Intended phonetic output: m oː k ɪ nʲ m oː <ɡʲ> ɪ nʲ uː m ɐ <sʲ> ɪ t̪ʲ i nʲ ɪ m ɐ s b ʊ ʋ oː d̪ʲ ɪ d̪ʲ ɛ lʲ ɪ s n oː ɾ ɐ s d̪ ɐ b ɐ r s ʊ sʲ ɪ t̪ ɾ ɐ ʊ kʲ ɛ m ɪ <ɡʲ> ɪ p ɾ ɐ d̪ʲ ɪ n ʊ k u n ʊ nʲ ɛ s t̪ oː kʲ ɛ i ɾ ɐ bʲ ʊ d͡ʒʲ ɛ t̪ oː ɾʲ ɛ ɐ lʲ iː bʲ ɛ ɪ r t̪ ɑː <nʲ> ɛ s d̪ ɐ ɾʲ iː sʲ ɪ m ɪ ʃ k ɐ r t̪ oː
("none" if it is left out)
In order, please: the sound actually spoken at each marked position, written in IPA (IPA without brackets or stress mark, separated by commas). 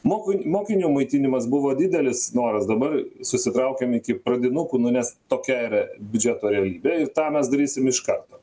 kʲ, none, kʲ, mʲ